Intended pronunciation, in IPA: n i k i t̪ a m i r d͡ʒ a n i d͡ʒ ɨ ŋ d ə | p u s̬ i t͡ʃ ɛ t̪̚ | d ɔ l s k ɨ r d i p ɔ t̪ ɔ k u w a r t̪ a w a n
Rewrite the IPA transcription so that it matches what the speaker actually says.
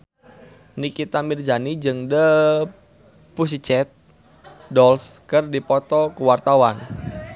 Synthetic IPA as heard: n i k i t̪ a m i r d͡ʒ a n i d͡ʒ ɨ ŋ d ə | p u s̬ i t͡ʃ ɛ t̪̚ | d ɔ l s k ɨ r d i p ɔ t̪ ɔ k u w a r t̪ a w a n